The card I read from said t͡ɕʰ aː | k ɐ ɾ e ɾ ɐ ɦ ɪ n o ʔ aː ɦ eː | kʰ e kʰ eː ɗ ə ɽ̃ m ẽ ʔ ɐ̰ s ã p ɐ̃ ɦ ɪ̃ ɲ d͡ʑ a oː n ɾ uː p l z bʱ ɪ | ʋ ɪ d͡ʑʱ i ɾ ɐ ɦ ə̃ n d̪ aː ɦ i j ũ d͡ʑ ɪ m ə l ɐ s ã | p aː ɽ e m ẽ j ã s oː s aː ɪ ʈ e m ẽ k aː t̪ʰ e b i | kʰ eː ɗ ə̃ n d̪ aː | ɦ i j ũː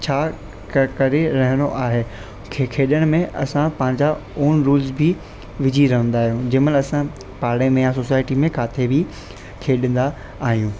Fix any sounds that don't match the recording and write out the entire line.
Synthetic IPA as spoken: t͡ɕʰ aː | k ɐ ɾ e ɾ ɐ ɦ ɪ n o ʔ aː ɦ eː | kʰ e kʰ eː ɗ ə ɽ̃ m ẽ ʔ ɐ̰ s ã p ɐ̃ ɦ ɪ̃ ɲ d͡ʑ a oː n ɾ uː l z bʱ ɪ | ʋ ɪ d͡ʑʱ i ɾ ɐ ɦ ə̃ n d̪ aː ɦ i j ũ d͡ʑ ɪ m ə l ɐ s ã | p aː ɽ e m ẽ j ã s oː s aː ɪ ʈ i m ẽ k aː t̪ʰ e b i | kʰ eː ɗ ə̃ n d̪ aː | ɦ i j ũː